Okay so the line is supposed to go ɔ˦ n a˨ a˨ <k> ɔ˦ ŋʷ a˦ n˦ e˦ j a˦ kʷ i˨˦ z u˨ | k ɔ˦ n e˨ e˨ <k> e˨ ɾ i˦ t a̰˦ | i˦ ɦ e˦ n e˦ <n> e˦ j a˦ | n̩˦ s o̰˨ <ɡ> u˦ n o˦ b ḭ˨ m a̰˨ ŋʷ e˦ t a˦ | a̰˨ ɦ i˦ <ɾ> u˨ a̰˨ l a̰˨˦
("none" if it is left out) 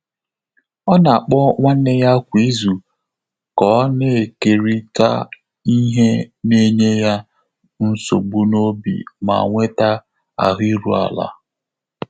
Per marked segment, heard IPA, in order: k͡p, k, ɲ, ɡ͡b, ɾ

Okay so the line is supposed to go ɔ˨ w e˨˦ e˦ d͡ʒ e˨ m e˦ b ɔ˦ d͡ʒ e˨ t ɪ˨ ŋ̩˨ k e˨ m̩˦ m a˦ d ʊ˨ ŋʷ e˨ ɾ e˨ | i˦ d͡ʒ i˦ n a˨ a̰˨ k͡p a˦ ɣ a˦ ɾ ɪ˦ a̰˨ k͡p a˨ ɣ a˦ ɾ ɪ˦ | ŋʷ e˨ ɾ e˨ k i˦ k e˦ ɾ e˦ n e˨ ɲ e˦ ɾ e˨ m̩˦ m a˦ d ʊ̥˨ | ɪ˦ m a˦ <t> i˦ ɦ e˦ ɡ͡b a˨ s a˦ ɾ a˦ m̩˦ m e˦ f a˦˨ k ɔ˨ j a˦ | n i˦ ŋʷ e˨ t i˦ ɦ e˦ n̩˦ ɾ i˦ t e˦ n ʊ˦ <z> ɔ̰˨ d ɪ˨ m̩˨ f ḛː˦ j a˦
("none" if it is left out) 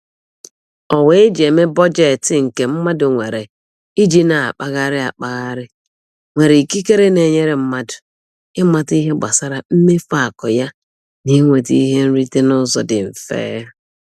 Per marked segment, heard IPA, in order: t, z

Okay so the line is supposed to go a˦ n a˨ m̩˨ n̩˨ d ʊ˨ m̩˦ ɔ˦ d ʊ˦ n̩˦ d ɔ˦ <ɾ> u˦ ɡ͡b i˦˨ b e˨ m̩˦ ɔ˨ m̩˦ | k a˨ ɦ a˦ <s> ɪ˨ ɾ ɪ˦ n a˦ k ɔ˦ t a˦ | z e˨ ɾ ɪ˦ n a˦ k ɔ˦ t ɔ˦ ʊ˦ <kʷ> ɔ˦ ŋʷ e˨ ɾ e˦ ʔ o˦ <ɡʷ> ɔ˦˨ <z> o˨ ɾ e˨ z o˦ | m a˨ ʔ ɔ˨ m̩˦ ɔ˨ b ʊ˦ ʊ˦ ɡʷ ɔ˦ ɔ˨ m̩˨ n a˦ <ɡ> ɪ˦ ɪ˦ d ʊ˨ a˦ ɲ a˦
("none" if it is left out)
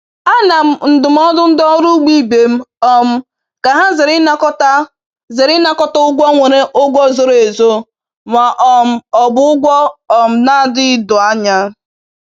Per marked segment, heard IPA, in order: ɾ, z, ɡʷ, ɡʷ, z, d

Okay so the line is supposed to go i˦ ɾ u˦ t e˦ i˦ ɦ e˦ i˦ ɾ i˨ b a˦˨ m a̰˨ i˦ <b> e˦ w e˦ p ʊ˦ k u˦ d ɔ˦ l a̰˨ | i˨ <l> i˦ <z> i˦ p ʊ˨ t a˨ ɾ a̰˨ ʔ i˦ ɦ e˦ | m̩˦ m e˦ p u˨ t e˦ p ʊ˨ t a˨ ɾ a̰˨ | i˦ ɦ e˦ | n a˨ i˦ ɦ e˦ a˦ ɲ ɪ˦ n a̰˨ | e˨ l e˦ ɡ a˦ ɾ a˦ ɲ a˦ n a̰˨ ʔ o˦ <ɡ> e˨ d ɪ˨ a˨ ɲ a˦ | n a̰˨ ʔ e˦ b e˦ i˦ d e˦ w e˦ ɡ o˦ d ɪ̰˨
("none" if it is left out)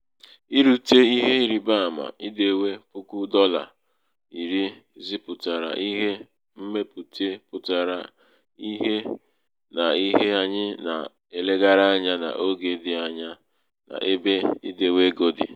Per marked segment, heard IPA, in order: d, ɾ, z, ɡ

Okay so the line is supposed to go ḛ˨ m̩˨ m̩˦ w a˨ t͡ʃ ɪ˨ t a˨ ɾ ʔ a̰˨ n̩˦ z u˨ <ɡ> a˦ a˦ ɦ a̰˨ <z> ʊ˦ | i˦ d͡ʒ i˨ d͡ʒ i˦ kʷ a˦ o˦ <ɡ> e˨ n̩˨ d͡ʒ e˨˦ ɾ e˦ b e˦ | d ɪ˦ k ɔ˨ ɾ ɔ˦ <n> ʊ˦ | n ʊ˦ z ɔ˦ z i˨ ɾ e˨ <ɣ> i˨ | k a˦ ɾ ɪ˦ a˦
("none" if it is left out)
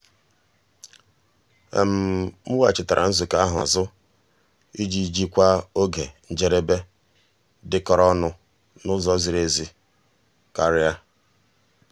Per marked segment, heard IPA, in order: k, z, ɡ, n, z

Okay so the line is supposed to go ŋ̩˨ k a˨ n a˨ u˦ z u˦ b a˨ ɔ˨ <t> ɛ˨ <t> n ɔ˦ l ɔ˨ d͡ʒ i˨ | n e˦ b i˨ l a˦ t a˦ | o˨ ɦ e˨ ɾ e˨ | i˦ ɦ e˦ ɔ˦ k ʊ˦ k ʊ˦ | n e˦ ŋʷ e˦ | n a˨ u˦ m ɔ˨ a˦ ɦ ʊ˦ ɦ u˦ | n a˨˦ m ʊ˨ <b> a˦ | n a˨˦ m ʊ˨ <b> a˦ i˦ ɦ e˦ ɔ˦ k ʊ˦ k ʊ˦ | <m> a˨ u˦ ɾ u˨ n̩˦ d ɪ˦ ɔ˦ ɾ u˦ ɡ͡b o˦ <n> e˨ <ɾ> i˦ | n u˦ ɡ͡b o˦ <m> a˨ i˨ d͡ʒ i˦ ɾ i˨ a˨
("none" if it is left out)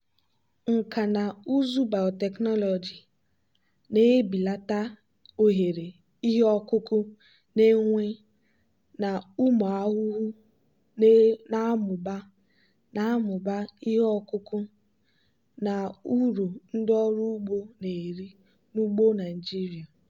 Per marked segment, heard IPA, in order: t, k, b, b, n, n, ɾ, n

